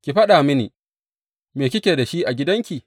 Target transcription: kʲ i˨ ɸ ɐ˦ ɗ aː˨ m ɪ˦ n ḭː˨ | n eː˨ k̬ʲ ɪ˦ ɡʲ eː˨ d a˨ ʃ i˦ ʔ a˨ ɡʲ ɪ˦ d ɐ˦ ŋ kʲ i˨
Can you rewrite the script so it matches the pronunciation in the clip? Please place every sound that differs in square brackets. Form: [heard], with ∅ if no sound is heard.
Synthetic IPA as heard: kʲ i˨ ɸ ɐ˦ ɗ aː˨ m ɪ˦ n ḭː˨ | [m] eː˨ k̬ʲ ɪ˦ [kʲ] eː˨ d a˨ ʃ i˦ ʔ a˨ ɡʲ ɪ˦ d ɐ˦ ŋ kʲ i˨